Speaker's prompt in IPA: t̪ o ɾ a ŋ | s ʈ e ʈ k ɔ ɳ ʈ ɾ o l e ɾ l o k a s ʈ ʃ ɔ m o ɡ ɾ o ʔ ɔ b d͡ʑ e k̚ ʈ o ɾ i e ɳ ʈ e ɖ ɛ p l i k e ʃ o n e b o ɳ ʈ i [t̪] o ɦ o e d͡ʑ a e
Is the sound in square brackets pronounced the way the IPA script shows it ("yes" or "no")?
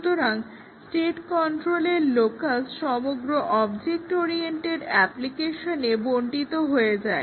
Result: yes